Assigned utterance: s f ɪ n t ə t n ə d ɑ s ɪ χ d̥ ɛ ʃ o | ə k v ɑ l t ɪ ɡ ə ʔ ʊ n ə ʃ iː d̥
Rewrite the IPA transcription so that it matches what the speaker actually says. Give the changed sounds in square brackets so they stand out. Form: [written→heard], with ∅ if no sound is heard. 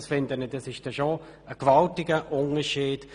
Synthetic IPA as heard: s f ɪ n [t→d] ə [t→∅] n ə d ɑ s ɪ [χ→ʃ] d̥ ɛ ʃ o | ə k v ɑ l t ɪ ɡ ə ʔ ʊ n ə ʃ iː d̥